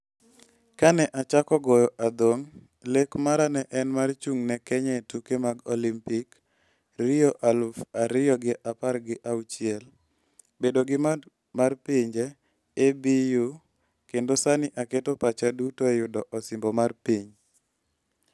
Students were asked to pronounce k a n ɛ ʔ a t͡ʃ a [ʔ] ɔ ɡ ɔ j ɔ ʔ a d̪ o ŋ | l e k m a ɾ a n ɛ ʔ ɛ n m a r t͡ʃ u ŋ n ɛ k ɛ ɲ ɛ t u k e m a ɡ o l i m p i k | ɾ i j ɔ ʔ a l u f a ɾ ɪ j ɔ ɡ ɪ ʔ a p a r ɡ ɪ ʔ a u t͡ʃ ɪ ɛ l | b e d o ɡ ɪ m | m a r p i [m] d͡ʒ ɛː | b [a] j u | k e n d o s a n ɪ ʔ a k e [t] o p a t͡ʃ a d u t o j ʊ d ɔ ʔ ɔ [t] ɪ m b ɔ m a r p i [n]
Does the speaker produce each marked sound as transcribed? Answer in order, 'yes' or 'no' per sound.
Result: no, no, no, yes, no, no

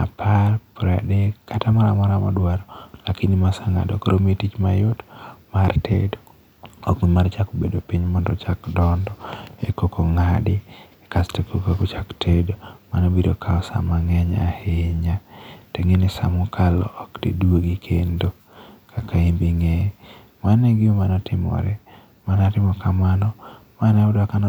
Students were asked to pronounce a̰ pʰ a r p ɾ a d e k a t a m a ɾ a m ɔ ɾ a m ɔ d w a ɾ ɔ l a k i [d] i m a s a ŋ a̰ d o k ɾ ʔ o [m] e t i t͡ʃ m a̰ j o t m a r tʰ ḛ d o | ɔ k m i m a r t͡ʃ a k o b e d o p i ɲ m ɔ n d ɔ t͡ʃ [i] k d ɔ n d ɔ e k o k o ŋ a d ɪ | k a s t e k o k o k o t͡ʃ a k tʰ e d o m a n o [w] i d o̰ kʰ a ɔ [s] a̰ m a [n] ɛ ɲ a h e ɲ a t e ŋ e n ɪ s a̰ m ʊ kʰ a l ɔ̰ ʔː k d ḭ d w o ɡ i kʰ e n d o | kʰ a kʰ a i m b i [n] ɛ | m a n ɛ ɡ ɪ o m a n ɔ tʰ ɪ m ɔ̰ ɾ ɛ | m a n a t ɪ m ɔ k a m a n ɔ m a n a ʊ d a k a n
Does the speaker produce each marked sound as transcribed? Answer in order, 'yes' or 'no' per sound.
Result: no, yes, no, no, yes, no, no

